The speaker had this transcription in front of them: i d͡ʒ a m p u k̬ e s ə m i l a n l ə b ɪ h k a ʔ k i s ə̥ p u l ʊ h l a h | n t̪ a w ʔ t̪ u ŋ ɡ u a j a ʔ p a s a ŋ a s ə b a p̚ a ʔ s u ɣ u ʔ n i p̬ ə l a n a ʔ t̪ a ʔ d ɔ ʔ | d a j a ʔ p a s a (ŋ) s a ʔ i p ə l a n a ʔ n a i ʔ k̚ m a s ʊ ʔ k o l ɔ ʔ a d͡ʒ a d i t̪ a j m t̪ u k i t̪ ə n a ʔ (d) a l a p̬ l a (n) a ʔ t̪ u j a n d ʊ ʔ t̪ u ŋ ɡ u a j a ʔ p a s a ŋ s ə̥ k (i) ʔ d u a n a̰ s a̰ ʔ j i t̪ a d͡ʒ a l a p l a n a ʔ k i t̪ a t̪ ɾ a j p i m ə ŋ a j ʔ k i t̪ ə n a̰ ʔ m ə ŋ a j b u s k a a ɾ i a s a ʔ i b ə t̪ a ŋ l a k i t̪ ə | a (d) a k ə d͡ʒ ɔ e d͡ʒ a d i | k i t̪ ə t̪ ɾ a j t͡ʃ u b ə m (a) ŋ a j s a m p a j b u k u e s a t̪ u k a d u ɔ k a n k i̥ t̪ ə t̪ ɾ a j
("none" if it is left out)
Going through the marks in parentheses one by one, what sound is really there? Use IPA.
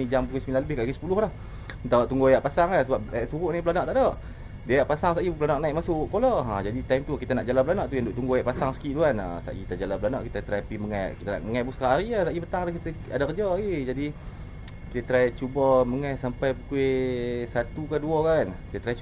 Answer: ŋ, d͡ʒ, n, i, d, ə

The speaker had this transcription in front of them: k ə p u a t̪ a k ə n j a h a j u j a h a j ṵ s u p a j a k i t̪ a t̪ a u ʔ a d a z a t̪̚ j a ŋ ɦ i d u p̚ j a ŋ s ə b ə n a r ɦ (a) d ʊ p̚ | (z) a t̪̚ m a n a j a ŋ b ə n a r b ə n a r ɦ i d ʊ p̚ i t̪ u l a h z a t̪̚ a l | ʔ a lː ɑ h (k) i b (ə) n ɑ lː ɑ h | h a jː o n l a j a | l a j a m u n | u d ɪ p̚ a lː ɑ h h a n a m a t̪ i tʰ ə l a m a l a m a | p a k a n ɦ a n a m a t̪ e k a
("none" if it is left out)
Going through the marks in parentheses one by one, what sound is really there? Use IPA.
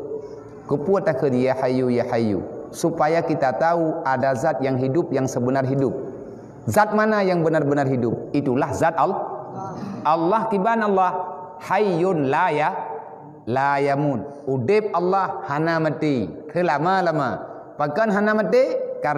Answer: i, z, k, a

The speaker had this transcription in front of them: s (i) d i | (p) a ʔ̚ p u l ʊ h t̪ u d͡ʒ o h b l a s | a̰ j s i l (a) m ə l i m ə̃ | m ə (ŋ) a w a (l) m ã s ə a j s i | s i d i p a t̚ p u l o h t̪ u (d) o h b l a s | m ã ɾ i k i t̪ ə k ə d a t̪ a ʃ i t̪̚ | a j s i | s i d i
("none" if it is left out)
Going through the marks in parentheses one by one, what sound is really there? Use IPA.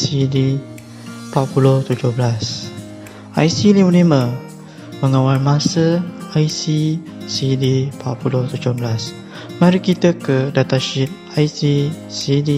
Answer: i, p, i, ŋ, l, d͡ʒ

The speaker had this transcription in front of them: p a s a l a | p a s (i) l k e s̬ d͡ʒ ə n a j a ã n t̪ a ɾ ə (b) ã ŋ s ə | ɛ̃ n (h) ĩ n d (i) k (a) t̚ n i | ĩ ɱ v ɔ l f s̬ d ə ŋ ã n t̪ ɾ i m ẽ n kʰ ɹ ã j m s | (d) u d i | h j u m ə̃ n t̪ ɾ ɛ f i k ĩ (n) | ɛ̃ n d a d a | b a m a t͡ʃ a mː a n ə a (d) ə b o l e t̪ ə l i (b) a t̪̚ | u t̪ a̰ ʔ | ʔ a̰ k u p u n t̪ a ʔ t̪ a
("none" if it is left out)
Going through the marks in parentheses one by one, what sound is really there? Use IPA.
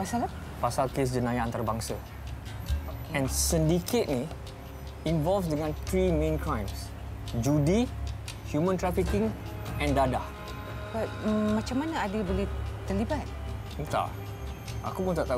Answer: a, b, s, i, e, d͡ʒ, ŋ, d, b

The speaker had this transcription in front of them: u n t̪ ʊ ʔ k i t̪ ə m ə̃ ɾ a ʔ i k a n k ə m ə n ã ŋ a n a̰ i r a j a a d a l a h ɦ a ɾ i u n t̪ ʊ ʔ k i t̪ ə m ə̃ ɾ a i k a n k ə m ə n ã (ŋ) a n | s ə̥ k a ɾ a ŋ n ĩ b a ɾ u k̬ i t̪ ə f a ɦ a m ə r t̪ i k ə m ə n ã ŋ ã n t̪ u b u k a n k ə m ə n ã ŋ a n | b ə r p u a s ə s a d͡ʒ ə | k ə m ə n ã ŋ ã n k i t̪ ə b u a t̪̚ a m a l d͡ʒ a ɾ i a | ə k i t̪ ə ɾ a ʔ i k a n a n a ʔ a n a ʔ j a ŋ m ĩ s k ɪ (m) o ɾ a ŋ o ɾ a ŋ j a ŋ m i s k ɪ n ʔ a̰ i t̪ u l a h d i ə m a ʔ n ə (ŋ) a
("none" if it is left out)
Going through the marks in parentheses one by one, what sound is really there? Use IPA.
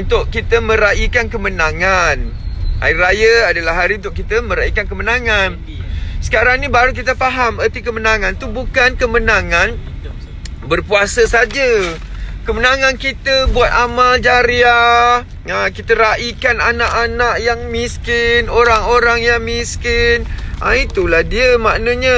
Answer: ŋ, n, ɲ

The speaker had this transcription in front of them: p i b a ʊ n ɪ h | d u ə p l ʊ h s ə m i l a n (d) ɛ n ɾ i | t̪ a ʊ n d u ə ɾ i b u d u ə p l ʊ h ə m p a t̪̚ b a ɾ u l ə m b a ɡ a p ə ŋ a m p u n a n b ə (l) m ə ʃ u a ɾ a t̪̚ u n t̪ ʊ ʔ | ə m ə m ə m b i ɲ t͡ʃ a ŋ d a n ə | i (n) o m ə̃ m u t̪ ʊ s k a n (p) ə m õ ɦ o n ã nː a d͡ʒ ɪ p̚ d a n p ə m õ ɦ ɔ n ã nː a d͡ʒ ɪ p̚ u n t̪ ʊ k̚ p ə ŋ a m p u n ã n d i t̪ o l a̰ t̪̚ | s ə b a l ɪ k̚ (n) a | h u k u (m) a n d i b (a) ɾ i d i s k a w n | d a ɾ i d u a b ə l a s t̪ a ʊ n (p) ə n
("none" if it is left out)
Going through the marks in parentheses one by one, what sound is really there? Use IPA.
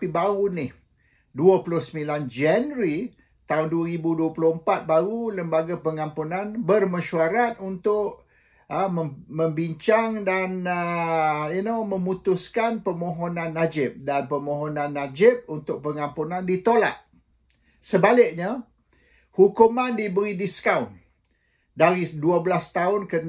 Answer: d͡ʒ, r, n, p, ɲ, m, ə, k

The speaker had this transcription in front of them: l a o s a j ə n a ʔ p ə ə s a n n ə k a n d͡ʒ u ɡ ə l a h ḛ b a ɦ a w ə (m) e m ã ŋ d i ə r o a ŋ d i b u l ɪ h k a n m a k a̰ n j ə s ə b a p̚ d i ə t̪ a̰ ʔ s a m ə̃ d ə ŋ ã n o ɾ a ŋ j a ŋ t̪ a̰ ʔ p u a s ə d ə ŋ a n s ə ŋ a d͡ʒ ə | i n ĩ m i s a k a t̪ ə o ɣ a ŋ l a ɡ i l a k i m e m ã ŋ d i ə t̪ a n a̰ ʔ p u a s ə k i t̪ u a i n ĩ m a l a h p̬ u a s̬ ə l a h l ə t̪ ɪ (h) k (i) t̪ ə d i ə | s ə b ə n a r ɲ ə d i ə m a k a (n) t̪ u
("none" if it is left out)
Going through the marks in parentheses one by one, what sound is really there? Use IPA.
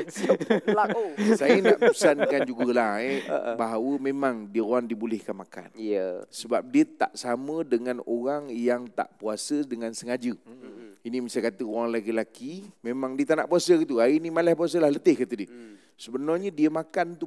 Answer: m, h, a, n

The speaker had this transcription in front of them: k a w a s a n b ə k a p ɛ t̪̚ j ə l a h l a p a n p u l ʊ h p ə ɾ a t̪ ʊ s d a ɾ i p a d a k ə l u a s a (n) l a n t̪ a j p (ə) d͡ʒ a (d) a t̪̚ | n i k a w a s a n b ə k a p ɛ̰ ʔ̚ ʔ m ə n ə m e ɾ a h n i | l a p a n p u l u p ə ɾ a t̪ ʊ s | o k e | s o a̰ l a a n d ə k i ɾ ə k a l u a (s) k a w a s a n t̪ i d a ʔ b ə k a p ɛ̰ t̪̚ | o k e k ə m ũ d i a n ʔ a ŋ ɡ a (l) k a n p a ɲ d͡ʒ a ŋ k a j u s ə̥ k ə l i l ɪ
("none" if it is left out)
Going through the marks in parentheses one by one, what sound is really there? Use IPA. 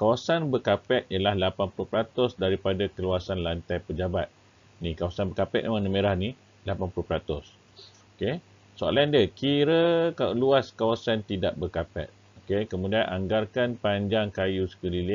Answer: n, ə, b, s, r

